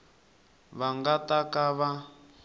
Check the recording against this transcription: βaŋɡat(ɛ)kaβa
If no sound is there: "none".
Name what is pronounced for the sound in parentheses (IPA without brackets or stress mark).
a